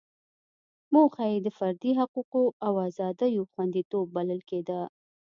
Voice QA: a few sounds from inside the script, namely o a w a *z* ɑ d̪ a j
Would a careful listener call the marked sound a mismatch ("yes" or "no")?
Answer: no